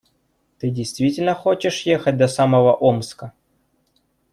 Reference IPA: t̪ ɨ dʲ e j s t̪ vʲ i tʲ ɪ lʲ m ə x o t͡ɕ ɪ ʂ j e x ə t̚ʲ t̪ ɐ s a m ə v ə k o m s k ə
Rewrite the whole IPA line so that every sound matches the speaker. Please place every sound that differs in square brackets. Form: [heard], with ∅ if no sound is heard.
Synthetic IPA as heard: t̪ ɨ dʲ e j s t̪ vʲ i tʲ ɪ lʲ [n] ə x o t͡ɕ ɪ ʂ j e x ə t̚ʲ [d̪] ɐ s a m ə v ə [ʔ] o m s k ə